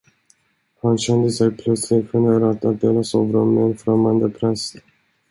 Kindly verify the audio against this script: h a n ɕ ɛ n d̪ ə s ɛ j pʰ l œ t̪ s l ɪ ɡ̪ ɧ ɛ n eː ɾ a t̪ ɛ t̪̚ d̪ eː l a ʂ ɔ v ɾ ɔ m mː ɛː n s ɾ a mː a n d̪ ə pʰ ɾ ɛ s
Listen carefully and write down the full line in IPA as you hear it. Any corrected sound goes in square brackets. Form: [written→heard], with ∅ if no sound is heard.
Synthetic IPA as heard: h a n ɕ ɛ n d̪ ə s ɛ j pʰ l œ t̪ s l ɪ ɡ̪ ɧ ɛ n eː ɾ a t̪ [ɛ→a] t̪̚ d̪ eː l a [ʂ→s] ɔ v ɾ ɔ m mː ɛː n [s→f] ɾ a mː a n d̪ ə pʰ ɾ ɛ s

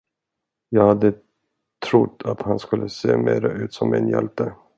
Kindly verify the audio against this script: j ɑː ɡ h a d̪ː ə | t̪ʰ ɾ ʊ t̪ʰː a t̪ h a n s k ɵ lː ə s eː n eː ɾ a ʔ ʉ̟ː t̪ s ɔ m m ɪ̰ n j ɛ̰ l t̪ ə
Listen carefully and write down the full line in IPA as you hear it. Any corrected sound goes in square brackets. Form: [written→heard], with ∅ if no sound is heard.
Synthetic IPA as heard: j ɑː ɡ h a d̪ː ə | t̪ʰ ɾ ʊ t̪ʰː a t̪ h a n s k ɵ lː ə s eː [n→m] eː ɾ a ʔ ʉ̟ː t̪ s ɔ m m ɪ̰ n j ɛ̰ l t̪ ə

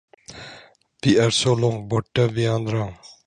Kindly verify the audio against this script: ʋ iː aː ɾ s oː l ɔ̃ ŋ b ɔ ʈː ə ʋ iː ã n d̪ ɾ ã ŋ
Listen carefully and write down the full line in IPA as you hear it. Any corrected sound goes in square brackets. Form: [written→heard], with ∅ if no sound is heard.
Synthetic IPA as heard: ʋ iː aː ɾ s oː l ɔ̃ ŋ b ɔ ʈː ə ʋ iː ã n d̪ ɾ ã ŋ

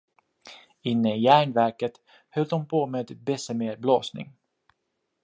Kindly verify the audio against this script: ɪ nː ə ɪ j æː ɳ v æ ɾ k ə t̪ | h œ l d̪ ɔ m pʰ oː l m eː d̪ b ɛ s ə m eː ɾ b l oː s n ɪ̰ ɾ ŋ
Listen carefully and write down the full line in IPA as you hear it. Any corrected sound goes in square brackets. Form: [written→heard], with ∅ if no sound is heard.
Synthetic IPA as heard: ɪ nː ə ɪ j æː ɳ v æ ɾ k ə t̪ | h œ l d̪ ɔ m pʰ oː [l→∅] m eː d̪ b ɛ s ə m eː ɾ b l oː s n ɪ̰ [ɾ→∅] ŋ

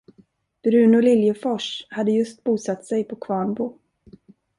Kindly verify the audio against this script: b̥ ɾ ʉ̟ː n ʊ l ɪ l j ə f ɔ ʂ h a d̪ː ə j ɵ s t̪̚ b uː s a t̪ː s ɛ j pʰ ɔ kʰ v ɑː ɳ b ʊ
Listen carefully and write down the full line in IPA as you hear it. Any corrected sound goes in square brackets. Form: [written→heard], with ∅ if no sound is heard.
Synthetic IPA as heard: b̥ ɾ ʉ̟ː n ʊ l ɪ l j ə f ɔ ʂ h a d̪ː ə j ɵ s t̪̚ b uː s a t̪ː s ɛ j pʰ ɔ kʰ v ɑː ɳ b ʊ

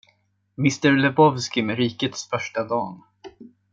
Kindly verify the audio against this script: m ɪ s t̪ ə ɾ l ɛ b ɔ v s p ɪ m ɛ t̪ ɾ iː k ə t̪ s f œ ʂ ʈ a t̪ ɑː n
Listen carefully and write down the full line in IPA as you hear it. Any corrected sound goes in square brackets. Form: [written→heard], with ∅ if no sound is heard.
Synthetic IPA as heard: m ɪ s t̪ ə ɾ l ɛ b ɔ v s [p→k] ɪ m ɛ [t̪→∅] ɾ iː k ə t̪ s f œ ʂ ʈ a [t̪→d̪] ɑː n

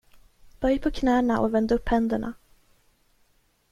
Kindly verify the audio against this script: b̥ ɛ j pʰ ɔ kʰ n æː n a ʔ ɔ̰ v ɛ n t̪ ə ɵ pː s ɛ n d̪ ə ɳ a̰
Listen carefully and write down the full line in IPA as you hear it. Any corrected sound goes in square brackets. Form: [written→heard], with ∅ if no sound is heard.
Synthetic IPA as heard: b̥ [ɛ→œ] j pʰ ɔ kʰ n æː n a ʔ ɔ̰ v ɛ n [t̪→d̪] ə ɵ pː [s→h] ɛ n d̪ ə ɳ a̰

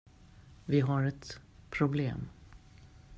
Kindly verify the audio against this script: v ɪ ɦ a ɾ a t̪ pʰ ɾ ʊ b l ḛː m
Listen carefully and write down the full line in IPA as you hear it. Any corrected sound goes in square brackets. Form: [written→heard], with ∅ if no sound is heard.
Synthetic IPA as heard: v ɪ ɦ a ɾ [a→ɛ] t̪ pʰ ɾ ʊ b l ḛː m

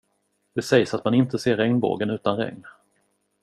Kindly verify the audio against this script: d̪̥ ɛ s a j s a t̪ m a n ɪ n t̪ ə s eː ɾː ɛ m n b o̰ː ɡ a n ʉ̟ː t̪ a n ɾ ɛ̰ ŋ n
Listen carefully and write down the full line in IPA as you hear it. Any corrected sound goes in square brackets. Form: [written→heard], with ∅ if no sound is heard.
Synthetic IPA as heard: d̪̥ ɛ s [a→ɛ] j s a t̪ m a n ɪ n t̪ ə s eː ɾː ɛ [m→ŋ] n b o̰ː ɡ [a→ə] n ʉ̟ː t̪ a n ɾ ɛ̰ ŋ n

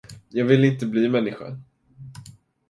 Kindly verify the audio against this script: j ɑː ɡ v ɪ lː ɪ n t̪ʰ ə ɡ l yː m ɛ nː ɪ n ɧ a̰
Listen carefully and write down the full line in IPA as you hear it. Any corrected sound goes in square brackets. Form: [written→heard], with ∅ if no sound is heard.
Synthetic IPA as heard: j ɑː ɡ v ɪ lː ɪ n [t̪ʰ→t̪] ə [ɡ→b] l [yː→iː] m ɛ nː ɪ [n→∅] ɧ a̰

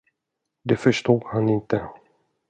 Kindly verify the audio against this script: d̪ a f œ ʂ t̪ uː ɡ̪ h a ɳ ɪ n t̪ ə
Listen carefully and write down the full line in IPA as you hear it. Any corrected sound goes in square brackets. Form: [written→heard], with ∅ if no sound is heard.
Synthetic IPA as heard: d̪ [a→ɛ] f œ ʂ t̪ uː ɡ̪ h a [ɳ→n] ɪ n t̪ ə

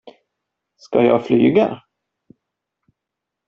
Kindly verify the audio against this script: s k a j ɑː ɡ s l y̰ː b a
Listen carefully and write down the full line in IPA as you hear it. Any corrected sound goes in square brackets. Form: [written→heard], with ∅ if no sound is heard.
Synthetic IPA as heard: s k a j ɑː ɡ [s→f] l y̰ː [b→ɡ] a

